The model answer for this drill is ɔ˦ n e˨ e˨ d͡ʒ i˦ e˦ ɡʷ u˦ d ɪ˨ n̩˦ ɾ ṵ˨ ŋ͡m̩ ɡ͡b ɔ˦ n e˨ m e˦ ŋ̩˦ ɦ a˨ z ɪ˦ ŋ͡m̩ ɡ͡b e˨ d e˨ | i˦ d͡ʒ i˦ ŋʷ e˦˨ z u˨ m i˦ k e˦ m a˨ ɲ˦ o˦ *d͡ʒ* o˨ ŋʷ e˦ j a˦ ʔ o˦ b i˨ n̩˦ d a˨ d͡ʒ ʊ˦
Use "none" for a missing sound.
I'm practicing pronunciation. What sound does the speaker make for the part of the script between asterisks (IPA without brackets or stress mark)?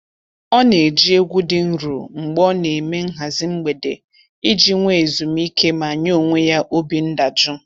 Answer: none